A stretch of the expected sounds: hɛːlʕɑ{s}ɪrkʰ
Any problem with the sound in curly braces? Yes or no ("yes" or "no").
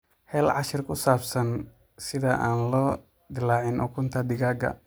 yes